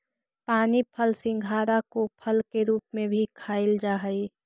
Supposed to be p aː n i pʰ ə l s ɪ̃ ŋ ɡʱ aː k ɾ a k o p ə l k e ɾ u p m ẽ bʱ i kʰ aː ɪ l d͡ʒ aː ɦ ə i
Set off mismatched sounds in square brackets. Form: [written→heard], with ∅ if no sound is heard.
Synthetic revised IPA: p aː n i pʰ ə l s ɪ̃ ŋ ɡʱ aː [k→∅] ɾ a k o [p→pʰ] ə l k e ɾ [u→uː] p m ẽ bʱ i kʰ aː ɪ l d͡ʒ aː ɦ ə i